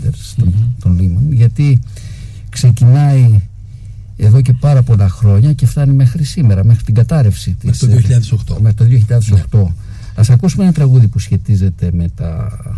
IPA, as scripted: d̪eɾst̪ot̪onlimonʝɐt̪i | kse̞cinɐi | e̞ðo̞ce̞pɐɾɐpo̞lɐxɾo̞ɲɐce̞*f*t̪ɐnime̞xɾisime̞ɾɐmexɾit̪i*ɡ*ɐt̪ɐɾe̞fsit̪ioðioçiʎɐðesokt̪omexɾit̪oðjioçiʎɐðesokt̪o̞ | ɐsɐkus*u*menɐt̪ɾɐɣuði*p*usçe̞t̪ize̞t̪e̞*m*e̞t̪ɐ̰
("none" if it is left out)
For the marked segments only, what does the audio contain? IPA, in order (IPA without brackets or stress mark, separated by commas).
f, ɡ, u, p, m